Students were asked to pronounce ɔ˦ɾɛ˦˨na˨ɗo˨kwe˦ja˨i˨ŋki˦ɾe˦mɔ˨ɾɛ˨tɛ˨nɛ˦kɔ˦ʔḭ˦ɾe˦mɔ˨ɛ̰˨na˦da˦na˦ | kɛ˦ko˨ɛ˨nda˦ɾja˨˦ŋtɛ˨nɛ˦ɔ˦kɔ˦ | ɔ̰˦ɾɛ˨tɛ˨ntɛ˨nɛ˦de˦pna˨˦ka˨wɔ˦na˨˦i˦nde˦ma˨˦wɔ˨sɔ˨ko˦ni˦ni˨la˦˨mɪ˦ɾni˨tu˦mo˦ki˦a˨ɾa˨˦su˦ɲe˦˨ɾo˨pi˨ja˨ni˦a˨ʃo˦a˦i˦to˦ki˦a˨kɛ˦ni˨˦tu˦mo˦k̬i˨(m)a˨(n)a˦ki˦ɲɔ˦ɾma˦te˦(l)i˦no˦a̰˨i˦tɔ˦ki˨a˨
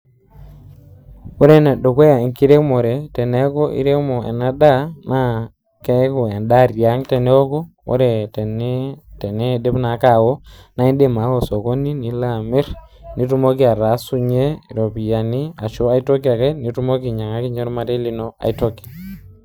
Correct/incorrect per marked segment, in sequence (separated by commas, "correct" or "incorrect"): incorrect, incorrect, correct